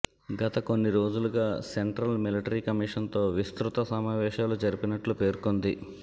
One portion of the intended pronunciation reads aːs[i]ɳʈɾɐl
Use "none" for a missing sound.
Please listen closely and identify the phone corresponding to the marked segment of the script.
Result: e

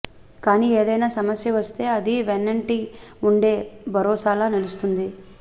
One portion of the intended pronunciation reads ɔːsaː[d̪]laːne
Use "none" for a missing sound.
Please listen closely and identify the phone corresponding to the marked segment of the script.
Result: none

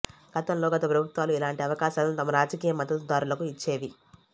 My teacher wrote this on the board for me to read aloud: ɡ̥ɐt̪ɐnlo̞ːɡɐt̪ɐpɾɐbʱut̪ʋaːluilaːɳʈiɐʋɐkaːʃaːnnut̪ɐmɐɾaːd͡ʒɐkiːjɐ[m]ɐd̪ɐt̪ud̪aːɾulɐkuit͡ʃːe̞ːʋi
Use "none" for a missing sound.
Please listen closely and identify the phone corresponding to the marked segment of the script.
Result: m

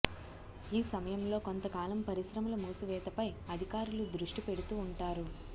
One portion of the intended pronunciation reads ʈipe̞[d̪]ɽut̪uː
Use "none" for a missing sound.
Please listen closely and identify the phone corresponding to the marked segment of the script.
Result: none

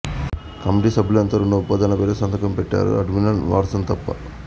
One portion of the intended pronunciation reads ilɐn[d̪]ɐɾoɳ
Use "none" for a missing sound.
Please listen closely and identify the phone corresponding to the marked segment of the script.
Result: t̪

